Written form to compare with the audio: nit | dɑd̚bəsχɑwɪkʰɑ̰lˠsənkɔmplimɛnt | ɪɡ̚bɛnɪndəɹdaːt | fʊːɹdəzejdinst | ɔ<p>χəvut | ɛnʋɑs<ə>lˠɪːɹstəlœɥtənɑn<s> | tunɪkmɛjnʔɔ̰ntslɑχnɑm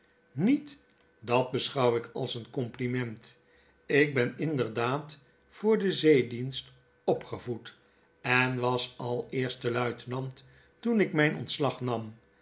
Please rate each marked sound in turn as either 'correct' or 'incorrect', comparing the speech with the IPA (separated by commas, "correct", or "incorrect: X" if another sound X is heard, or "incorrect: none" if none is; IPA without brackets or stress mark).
correct, incorrect: ɑ, incorrect: t